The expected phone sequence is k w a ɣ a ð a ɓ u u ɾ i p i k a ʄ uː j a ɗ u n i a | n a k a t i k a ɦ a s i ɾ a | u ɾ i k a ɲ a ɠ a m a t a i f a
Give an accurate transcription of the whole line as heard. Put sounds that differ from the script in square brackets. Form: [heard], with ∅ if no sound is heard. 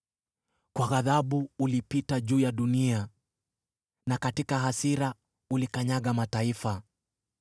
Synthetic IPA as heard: k w a ɣ a ð a ɓ u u [l] i p i [t] a ʄ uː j a ɗ u n i a | n a k a t i k a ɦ a s i ɾ a | u [l] i k a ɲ a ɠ a m a t a i f a